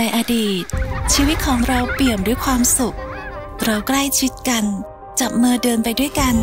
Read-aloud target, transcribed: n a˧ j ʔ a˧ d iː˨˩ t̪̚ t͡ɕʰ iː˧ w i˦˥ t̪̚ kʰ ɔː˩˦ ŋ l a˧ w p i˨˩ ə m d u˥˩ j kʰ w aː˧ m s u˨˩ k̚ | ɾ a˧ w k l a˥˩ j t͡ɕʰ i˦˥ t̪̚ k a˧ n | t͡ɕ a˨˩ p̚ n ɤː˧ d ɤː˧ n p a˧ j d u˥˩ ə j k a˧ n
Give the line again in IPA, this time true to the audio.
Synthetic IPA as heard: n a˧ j ʔ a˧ d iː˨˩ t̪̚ t͡ɕʰ iː˧ w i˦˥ t̪̚ kʰ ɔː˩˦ ŋ ɾ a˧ w p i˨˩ ə m d u˥˩ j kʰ w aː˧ m s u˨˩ k̚ | ɾ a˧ w k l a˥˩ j t͡ɕʰ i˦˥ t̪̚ k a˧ n | t͡ɕ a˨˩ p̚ m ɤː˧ d ɤː˧ n p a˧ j d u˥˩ ə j k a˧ n

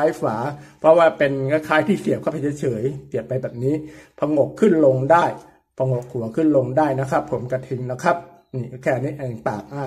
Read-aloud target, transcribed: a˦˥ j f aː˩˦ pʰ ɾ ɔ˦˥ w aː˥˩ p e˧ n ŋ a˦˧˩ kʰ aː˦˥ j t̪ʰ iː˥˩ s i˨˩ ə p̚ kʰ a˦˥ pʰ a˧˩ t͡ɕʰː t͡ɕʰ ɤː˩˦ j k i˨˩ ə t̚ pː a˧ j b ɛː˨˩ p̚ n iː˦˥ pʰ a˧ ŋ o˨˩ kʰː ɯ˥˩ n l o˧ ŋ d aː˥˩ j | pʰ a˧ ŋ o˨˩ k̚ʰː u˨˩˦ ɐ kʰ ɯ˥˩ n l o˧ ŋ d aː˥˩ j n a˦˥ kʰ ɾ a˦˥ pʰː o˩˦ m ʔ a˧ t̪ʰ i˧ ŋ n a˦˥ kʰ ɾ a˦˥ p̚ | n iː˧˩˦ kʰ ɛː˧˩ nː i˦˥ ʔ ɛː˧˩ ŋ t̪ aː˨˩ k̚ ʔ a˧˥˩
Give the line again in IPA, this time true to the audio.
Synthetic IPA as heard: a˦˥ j f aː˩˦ pʰ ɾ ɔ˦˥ w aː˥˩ p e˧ n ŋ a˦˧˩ kʰ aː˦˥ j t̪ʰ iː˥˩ s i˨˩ ə p̚ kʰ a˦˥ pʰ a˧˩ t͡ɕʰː t͡ɕʰ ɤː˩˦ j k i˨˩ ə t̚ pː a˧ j b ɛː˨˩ p̚ n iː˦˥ pʰ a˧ ŋ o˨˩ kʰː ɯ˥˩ n l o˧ ŋ d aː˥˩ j | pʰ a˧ ŋ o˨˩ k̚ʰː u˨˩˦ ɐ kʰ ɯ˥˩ n l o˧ ŋ d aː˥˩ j n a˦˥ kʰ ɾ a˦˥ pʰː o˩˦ m k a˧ t̪ʰ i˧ ŋ n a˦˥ kʰ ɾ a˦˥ p̚ | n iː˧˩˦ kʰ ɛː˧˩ n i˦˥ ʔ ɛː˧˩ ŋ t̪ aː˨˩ k̚ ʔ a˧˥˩

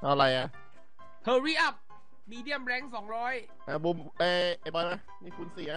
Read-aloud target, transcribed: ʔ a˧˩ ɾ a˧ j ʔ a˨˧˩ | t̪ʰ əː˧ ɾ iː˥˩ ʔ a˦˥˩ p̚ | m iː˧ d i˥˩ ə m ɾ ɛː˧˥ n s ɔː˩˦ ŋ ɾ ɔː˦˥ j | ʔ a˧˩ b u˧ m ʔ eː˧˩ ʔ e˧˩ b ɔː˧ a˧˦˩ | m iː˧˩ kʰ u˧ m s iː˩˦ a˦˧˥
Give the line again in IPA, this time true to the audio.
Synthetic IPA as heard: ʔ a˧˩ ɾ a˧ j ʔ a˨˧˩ | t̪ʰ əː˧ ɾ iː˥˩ ʔ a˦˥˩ p̚ | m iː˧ d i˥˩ ə m ɾ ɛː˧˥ ŋ s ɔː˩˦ ŋ ɾ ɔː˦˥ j | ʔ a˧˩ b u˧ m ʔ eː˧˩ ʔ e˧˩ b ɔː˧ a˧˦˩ | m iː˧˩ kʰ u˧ n s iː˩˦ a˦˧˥

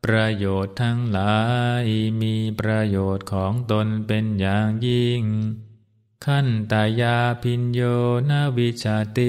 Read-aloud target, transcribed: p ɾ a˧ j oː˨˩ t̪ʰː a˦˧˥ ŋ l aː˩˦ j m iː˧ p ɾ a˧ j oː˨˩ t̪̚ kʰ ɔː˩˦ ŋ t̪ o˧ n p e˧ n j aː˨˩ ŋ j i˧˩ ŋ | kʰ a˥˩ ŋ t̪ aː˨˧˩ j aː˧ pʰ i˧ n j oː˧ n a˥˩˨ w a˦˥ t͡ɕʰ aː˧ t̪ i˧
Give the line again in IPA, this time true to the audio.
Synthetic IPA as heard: p ɾ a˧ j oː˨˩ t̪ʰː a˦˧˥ ŋ l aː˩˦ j m iː˧ p ɾ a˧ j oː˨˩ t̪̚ kʰ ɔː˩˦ ŋ t̪ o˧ n p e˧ n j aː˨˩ ŋ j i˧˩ ŋ | kʰ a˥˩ n t̪ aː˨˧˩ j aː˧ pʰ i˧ n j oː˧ n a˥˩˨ w i˦˥ t͡ɕʰ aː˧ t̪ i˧

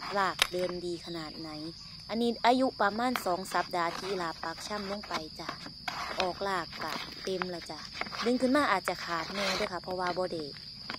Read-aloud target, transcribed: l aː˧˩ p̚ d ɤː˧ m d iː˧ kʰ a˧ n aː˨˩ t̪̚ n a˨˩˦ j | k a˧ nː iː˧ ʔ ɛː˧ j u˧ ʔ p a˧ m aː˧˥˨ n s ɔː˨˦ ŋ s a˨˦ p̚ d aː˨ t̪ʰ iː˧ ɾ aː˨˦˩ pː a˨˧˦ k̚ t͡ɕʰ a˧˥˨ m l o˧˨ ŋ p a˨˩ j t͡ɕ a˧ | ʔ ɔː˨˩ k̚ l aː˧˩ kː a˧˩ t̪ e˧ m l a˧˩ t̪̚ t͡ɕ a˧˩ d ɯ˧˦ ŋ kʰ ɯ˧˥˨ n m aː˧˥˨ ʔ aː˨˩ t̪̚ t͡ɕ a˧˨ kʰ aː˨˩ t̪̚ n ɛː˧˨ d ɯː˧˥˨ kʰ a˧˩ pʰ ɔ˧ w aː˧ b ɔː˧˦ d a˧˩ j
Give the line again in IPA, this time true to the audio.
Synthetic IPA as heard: l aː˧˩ k̚ d ɤː˧ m d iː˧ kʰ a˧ n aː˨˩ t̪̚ n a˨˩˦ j | ʔ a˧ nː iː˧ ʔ aː˧ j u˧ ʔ p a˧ m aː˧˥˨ n s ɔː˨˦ ŋ s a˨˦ p̚ d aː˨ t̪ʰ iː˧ l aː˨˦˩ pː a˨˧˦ k̚ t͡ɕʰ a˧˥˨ m l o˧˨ ŋ p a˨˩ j t͡ɕ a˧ | ʔ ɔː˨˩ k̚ l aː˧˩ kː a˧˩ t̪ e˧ m l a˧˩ t͡ɕ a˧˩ d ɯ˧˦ ŋ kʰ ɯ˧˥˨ n m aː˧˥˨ ʔ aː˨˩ t̪̚ t͡ɕ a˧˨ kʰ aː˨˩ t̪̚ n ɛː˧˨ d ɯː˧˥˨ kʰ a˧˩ pʰ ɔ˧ w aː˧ b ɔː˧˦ d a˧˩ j

